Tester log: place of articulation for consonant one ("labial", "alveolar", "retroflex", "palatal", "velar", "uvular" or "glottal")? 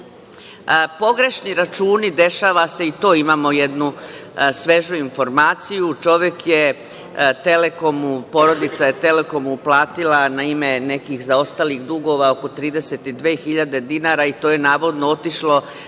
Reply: labial